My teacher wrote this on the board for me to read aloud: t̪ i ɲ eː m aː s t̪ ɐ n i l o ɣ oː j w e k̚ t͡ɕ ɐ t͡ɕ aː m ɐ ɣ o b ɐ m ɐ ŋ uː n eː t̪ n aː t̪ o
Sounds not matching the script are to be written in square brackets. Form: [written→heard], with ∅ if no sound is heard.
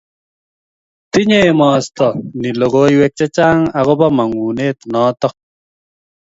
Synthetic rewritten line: t̪ i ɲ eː m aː s t̪ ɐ n i l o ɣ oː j w e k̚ t͡ɕ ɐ t͡ɕ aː [m→ŋ] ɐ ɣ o b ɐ m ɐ ŋ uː n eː t̪ n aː t̪ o